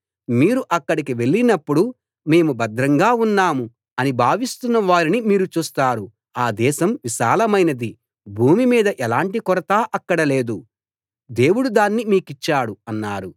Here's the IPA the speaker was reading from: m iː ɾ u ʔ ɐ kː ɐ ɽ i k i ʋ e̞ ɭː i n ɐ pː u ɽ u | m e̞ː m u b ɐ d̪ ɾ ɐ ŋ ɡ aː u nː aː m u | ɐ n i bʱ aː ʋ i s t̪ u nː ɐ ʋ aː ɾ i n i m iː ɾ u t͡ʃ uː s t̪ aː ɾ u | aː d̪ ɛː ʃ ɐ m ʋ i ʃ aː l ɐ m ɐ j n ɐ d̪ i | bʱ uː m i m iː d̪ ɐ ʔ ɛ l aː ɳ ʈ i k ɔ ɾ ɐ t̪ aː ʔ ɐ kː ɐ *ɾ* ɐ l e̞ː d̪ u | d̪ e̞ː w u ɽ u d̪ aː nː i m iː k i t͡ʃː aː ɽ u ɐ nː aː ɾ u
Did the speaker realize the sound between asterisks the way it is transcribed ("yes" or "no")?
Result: no